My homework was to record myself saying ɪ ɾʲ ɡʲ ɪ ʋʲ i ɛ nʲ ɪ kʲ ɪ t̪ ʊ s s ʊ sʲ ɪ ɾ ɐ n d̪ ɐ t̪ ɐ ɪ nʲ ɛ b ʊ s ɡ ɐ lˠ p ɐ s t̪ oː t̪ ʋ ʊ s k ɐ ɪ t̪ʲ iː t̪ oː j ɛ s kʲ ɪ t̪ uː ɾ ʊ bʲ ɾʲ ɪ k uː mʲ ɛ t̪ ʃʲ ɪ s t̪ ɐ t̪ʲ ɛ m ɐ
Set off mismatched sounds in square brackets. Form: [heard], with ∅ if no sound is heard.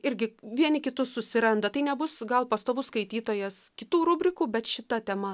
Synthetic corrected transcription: ɪ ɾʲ ɡʲ ɪ ʋʲ i ɛ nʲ ɪ kʲ ɪ t̪ ʊ s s ʊ sʲ ɪ ɾ ɐ n d̪ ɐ t̪ ɐ ɪ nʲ ɛ b ʊ s ɡ ɐ lˠ p ɐ s t̪ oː [∅] ʋ ʊ s k ɐ ɪ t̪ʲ iː t̪ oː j ɛ s kʲ ɪ t̪ uː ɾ ʊ bʲ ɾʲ ɪ k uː [bʲ] ɛ t̪ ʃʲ ɪ [∅] t̪ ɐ t̪ʲ ɛ m ɐ

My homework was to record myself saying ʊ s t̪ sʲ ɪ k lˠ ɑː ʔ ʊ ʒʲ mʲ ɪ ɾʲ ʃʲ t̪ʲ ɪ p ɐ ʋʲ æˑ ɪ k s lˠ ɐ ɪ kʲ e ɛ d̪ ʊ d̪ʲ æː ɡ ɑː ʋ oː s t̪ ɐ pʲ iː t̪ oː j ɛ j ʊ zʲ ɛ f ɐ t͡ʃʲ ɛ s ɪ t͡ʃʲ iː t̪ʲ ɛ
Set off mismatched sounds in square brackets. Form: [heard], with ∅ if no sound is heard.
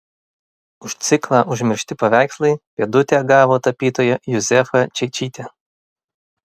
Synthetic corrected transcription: ʊ [ʃ] t̪ sʲ ɪ k lˠ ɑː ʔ ʊ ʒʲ mʲ ɪ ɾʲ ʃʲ t̪ʲ ɪ p ɐ ʋʲ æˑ ɪ k s lˠ ɐ ɪ [pʲ] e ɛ d̪ ʊ [t̪ʲ] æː ɡ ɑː ʋ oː [∅] t̪ ɐ pʲ iː t̪ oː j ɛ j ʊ zʲ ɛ f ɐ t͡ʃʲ ɛ [∅] ɪ t͡ʃʲ iː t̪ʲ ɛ

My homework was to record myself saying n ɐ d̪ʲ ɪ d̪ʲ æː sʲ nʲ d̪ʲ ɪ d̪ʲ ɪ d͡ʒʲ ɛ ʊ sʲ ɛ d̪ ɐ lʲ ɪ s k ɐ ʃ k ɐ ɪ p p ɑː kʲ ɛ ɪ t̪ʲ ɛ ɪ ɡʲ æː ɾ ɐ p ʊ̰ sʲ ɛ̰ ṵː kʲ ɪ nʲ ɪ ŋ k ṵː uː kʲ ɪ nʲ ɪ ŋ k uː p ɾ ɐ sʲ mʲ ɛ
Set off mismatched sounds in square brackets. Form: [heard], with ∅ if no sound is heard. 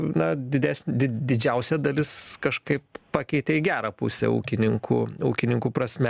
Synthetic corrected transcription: n ɐ d̪ʲ ɪ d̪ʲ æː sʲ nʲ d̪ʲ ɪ d̪ʲ ɪ d͡ʒʲ ɛ ʊ sʲ ɛ d̪ ɐ lʲ ɪ s k ɐ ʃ k ɐ ɪ p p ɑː kʲ ɛ ɪ t̪ʲ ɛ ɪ ɡʲ æː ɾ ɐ p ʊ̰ sʲ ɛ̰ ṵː kʲ ɪ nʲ ɪ ŋ k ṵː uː kʲ ɪ nʲ ɪ ŋ k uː p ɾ ɐ sʲ mʲ ɛ

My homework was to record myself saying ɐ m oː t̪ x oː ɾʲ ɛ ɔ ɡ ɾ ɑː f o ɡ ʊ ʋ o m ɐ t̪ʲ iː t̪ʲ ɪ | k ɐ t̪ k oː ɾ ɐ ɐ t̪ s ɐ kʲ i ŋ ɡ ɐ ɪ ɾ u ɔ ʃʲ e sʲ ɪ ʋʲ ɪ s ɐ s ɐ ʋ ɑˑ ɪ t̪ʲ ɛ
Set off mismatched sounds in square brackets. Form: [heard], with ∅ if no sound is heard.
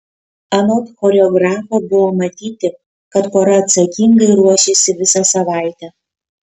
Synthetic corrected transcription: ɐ [n] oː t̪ x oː ɾʲ ɛ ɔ ɡ ɾ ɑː f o [b] ʊ ʋ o m ɐ t̪ʲ iː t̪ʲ ɪ | k ɐ t̪ k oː ɾ ɐ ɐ t̪ s ɐ kʲ i ŋ ɡ ɐ ɪ ɾ u ɔ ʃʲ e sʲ ɪ ʋʲ ɪ s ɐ s ɐ ʋ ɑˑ ɪ t̪ʲ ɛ

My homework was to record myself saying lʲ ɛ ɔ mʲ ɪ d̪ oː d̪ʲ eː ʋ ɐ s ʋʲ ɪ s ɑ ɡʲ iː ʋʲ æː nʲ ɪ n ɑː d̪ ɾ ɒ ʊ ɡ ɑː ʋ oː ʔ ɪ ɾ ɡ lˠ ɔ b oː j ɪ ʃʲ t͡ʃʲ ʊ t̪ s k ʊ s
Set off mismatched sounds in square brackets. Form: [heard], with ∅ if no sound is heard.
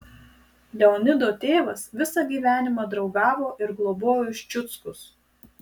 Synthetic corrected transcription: lʲ ɛ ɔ [nʲ] ɪ d̪ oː [t̪ʲ] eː ʋ ɐ s ʋʲ ɪ s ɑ ɡʲ iː ʋʲ æː nʲ ɪ [m] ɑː d̪ ɾ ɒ ʊ ɡ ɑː ʋ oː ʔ ɪ ɾ ɡ lˠ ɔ b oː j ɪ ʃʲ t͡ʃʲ ʊ t̪ s k ʊ s

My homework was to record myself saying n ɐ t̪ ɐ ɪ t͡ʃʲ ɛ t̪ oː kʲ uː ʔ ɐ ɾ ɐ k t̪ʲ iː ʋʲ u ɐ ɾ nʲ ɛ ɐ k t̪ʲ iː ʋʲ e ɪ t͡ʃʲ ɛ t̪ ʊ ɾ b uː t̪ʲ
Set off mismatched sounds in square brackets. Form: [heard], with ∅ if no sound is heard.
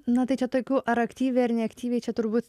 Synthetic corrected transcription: n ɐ t̪ ɐ ɪ t͡ʃʲ ɛ t̪ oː kʲ uː ʔ ɐ ɾ ɐ k t̪ʲ iː ʋʲ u ɐ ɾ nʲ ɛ ɐ k t̪ʲ iː ʋʲ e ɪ t͡ʃʲ ɛ t̪ ʊ ɾ b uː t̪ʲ

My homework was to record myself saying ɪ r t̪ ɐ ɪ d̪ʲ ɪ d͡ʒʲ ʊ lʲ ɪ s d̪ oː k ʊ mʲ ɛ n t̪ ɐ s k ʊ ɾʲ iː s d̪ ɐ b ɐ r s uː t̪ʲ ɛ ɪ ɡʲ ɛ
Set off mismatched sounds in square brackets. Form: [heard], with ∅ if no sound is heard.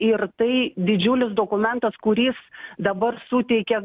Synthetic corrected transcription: ɪ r t̪ ɐ ɪ d̪ʲ ɪ d͡ʒʲ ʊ lʲ ɪ s d̪ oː k ʊ mʲ ɛ n t̪ ɐ s k ʊ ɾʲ iː s d̪ ɐ b ɐ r s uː t̪ʲ ɛ ɪ [kʲ] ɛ

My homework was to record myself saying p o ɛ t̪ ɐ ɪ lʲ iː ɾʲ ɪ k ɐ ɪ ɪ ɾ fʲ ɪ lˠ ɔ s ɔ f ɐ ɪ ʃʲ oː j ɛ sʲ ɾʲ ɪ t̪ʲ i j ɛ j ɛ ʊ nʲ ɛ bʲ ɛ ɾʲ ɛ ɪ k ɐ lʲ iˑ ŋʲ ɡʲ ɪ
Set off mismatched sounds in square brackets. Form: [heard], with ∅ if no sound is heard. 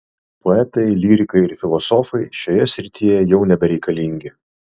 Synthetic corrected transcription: p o ɛ t̪ ɐ ɪ lʲ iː ɾʲ ɪ k ɐ ɪ ɪ ɾ fʲ ɪ lˠ ɔ s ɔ f ɐ ɪ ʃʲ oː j ɛ sʲ ɾʲ ɪ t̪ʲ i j ɛ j ɛ ʊ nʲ ɛ bʲ ɛ ɾʲ ɛ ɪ k ɐ lʲ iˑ ŋʲ ɡʲ ɪ

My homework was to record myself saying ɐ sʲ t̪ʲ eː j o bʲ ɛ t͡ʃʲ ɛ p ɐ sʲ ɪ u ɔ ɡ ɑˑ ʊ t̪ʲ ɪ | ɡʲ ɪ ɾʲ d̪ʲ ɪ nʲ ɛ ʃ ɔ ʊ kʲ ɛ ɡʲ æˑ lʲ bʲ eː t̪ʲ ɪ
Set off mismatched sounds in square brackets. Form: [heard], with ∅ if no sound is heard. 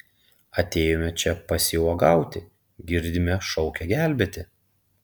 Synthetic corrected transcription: ɐ [∅] t̪ʲ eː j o [mʲ] ɛ t͡ʃʲ ɛ p ɐ sʲ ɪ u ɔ ɡ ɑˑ ʊ t̪ʲ ɪ | ɡʲ ɪ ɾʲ d̪ʲ ɪ [mʲ] ɛ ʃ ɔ ʊ kʲ ɛ ɡʲ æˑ lʲ bʲ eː t̪ʲ ɪ

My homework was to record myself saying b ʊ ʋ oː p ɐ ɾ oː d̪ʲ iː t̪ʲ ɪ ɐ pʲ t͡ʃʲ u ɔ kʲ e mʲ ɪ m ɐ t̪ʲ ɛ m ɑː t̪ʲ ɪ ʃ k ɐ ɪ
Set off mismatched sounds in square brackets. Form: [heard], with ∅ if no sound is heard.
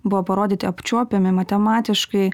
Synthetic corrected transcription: b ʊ ʋ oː p ɐ ɾ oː d̪ʲ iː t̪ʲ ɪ ɐ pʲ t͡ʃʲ u ɔ [pʲ] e mʲ ɪ m ɐ t̪ʲ ɛ m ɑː t̪ʲ ɪ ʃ k ɐ ɪ

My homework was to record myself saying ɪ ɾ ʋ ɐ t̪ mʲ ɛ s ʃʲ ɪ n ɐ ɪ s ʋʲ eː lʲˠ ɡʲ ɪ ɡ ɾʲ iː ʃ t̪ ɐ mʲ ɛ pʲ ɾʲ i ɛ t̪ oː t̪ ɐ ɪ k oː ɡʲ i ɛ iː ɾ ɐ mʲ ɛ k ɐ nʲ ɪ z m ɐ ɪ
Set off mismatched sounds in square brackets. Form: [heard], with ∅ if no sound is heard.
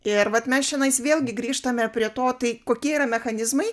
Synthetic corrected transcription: ɪ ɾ ʋ ɐ t̪ mʲ ɛ s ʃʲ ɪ n ɐ ɪ s ʋʲ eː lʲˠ ɡʲ ɪ ɡ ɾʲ iː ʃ t̪ ɐ mʲ ɛ pʲ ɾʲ i ɛ t̪ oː t̪ ɐ ɪ k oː [kʲ] i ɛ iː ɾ ɐ mʲ ɛ [x] ɐ nʲ ɪ z m ɐ ɪ

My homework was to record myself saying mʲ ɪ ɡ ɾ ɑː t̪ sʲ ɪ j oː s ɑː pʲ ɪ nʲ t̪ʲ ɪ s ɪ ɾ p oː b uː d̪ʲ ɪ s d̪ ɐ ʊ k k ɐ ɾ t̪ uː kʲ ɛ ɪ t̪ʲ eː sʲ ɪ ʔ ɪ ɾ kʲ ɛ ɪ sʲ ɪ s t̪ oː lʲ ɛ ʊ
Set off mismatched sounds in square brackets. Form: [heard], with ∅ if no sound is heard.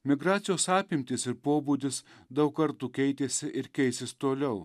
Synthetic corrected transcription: mʲ ɪ ɡ ɾ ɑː t̪ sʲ ɪ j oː s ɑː pʲ ɪ [mʲ] t̪ʲ ɪ s ɪ ɾ p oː b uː d̪ʲ ɪ s d̪ ɐ ʊ k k ɐ ɾ t̪ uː kʲ ɛ ɪ t̪ʲ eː sʲ ɪ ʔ ɪ ɾ kʲ ɛ ɪ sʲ ɪ s t̪ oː lʲ ɛ ʊ

